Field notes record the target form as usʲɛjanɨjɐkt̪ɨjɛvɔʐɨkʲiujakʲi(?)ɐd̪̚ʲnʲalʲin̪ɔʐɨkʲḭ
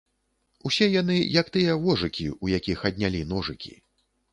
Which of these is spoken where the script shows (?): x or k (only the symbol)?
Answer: x